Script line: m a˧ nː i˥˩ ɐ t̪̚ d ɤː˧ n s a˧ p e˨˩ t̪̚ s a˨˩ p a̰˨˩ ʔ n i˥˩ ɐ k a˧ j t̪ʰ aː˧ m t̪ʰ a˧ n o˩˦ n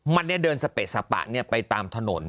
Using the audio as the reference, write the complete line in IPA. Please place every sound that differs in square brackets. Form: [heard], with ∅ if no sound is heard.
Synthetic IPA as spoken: m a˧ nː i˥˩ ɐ [∅] d ɤː˧ n s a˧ p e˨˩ t̪̚ s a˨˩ p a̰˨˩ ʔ n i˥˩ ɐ [p] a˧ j [t̪] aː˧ m t̪ʰ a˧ n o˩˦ n

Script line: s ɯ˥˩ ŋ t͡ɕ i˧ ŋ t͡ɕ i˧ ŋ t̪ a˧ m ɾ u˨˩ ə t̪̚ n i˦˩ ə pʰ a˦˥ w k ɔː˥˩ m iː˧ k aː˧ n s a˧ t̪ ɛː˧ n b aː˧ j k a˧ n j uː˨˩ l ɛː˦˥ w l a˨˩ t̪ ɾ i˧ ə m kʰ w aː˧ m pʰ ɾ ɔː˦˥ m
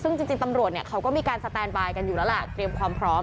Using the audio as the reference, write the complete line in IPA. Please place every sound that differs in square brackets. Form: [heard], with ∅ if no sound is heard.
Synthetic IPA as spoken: s ɯ˥˩ ŋ t͡ɕ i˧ ŋ t͡ɕ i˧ ŋ t̪ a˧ m ɾ u˨˩ ə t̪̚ n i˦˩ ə [kʰ] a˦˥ w k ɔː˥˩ m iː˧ k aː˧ n s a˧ t̪ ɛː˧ n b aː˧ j k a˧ n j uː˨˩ l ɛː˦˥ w l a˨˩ t̪ ɾ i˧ ə m kʰ w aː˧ m pʰ ɾ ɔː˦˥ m

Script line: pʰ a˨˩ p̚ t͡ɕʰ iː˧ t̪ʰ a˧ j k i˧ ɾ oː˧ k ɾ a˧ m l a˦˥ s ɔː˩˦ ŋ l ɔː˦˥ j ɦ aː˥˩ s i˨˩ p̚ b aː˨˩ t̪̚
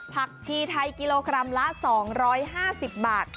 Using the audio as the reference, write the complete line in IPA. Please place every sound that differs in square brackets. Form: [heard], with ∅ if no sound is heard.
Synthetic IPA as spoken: pʰ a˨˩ [k̚] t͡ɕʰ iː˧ t̪ʰ a˧ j k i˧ [l] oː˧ k ɾ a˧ m l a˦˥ s ɔː˩˦ ŋ [ɾ] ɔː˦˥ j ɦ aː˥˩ s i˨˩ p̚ b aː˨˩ t̪̚

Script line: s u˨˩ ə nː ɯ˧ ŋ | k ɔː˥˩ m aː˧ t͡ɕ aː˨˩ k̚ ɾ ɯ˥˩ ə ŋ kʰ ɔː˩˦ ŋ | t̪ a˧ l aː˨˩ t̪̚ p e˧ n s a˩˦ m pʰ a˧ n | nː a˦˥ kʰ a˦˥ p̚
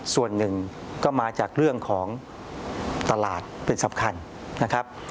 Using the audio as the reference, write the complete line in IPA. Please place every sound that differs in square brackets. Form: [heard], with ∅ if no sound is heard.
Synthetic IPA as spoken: s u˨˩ ə nː [ɯ˨˩] ŋ | k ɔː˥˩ m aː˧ t͡ɕ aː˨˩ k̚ ɾ ɯ˥˩ ə ŋ kʰ ɔː˩˦ ŋ | t̪ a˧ l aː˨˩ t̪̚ p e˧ n s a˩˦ m [kʰ] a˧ n | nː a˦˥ kʰ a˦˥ p̚

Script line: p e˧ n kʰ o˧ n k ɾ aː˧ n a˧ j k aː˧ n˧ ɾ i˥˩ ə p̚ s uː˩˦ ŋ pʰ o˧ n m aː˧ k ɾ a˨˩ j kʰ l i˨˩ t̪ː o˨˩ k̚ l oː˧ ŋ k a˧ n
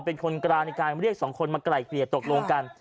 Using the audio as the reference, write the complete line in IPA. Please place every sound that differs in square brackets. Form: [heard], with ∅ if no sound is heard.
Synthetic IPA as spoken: p e˧ n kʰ o˧ n k ɾ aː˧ n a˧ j k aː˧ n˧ ɾ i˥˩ ə [k̚] s [ɔː˩˦] ŋ [kʰ] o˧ n m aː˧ k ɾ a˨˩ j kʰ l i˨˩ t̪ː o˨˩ k̚ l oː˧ ŋ k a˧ n

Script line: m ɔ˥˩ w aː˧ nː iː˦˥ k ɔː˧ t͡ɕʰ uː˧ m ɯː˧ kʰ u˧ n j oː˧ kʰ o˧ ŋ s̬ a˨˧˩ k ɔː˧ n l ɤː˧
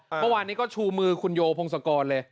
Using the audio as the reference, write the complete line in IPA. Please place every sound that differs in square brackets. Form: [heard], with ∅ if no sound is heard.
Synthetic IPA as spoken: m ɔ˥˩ w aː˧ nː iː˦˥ k [ɔː˥˩] t͡ɕʰ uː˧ m ɯː˧ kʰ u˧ n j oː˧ [pʰ] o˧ ŋ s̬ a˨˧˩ k ɔː˧ n l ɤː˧

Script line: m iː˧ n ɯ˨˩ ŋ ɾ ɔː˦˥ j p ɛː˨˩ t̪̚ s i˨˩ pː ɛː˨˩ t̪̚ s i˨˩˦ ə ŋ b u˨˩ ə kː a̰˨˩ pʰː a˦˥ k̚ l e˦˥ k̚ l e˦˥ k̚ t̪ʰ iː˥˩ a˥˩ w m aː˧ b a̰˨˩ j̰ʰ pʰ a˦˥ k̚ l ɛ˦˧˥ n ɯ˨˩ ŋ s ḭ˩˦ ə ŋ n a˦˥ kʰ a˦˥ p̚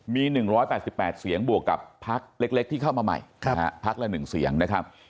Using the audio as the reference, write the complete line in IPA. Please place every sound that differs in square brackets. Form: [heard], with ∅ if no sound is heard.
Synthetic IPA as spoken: m iː˧ n ɯ˨˩ ŋ ɾ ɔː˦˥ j p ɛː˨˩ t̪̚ s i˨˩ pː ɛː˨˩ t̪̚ s i˨˩˦ ə ŋ b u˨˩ ə kː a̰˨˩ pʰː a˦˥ k̚ l e˦˥ k̚ l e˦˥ k̚ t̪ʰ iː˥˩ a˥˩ w m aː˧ [m] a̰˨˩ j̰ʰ pʰ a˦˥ k̚ l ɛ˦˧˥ n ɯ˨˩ ŋ s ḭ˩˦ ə ŋ n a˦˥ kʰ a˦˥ p̚

